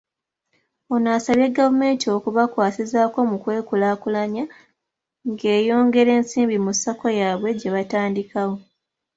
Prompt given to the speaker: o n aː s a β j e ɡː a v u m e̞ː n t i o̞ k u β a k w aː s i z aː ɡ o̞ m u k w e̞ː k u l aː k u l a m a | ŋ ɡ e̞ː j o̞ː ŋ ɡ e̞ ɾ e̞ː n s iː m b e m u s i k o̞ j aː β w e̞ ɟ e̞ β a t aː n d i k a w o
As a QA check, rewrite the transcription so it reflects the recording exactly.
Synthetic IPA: o n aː s a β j e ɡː a v u m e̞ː n t i o̞ k u β a k w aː s i z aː k o̞ m u k w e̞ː k u l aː k u l a ɲ a | ŋ ɡ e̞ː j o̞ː ŋ ɡ e̞ ɾ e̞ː n s iː m b i m u s a k o̞ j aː β w e̞ ɟ e̞ β a t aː n d i k a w o